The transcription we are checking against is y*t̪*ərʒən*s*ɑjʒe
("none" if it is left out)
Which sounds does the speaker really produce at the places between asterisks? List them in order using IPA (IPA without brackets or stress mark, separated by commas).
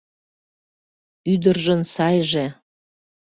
d̪, s